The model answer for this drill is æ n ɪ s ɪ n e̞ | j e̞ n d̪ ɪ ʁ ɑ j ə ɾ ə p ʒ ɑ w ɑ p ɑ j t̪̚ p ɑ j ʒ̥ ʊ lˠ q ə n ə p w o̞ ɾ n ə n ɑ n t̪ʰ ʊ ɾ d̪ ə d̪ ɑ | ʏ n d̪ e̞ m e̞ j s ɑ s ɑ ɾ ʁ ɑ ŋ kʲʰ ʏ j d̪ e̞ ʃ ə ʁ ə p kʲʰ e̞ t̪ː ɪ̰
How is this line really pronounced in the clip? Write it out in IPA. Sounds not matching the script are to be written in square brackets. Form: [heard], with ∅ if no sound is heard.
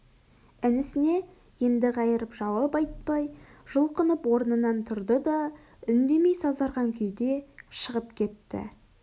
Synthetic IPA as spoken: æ n ɪ s ɪ n e̞ | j e̞ n d̪ ɪ ʁ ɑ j ə ɾ ə p ʒ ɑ w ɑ p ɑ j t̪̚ p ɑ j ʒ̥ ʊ lˠ q ə n ə p w o̞ ɾ n ə n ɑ n t̪ʰ ʊ ɾ d̪ ə d̪ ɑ | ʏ n d̪ e̞ m e̞ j s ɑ [z] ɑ ɾ ʁ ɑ ŋ kʲʰ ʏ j d̪ e̞ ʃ ə ʁ ə p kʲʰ e̞ t̪ː ɪ̰